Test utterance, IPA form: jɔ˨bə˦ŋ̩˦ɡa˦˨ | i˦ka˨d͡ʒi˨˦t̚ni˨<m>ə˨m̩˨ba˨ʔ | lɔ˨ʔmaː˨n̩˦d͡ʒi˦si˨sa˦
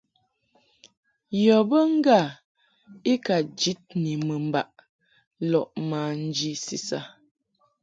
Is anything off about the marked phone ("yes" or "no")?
no